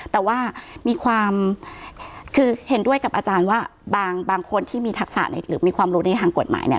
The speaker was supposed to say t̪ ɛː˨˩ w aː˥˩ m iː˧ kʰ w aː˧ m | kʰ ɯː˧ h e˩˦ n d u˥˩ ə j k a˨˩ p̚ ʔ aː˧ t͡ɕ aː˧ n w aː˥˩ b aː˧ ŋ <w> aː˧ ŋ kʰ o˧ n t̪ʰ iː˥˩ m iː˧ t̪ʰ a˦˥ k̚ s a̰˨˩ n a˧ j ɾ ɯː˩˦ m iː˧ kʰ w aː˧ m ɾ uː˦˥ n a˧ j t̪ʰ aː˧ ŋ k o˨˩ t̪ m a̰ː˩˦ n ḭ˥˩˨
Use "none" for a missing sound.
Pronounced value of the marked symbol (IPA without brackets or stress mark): b